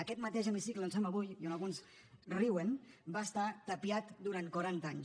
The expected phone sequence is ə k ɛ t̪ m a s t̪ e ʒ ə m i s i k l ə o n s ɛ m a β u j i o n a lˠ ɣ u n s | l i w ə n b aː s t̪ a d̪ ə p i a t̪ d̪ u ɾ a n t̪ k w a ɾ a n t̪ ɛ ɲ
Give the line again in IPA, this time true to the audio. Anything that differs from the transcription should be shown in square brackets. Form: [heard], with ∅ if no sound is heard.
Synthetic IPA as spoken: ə k ɛ t̪ m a [∅] t̪ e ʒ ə m i s i k l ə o n s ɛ m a β u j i o n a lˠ ɣ u n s | [r] i w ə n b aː s t̪ a [t̪] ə p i a t̪ d̪ u ɾ a n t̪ k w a ɾ a n t̪ [a] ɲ